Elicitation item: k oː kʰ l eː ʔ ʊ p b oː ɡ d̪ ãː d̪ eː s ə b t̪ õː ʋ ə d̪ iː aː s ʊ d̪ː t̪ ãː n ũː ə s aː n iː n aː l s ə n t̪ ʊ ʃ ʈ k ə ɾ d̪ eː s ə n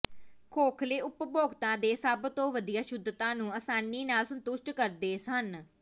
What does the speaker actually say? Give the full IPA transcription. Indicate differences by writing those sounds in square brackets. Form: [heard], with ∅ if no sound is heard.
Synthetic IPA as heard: [kʰ] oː kʰ l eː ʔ ʊ p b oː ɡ [t̪] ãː d̪ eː s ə b t̪ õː ʋ ə d̪ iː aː [ʃ] ʊ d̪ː t̪ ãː n ũː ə s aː n iː n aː l s ə n t̪ ʊ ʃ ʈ k ə ɾ d̪ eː s ə n